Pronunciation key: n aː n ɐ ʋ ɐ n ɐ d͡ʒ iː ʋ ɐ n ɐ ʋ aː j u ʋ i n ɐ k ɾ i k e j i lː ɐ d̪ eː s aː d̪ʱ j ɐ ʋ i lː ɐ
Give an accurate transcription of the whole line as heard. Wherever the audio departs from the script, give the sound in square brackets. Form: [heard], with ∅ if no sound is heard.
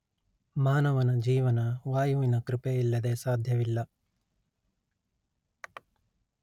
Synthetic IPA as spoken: [m] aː n ɐ ʋ ɐ n ɐ d͡ʒ iː ʋ ɐ n ɐ ʋ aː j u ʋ i n ɐ k ɾ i [p] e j i lː ɐ d̪ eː s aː d̪ʱ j ɐ ʋ i lː ɐ